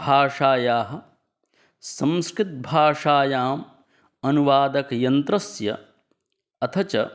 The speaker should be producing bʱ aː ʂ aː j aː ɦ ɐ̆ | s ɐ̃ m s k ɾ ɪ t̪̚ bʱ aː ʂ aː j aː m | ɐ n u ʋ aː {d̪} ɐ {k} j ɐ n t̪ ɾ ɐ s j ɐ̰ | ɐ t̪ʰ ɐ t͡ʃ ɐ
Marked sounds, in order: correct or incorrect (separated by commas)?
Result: correct, correct